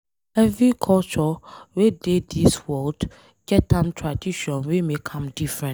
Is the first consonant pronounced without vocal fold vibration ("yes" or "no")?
no